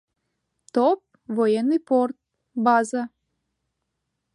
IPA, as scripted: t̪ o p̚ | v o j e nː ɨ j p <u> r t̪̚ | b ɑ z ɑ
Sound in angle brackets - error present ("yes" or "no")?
yes